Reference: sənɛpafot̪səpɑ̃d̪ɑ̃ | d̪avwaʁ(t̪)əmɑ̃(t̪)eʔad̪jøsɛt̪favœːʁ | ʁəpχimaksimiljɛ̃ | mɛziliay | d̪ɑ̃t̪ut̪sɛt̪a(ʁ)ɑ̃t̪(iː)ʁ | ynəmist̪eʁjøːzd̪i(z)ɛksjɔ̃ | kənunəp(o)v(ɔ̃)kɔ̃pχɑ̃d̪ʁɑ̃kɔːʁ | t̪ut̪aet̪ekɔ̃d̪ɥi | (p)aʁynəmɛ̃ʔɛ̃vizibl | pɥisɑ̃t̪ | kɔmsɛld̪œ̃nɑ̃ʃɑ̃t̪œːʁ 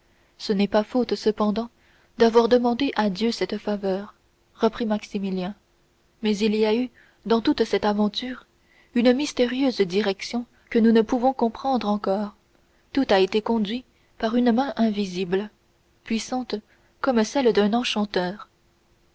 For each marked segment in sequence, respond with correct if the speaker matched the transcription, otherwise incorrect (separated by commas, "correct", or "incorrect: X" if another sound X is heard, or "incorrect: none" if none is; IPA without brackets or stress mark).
incorrect: d̪, incorrect: d̪, incorrect: v, incorrect: yː, incorrect: ʁ, incorrect: u, correct, correct